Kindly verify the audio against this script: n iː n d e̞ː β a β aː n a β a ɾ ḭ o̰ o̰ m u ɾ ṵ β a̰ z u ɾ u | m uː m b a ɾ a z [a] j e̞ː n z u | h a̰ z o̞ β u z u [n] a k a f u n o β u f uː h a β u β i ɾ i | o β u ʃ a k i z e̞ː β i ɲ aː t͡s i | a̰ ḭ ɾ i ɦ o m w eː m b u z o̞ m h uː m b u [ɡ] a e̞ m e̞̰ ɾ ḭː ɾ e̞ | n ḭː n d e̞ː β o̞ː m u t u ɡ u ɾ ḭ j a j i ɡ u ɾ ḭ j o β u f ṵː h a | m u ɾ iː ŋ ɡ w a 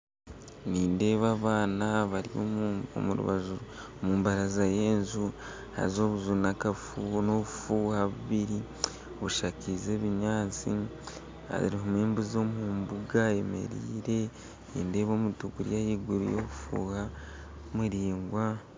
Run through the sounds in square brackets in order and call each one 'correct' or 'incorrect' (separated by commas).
correct, correct, correct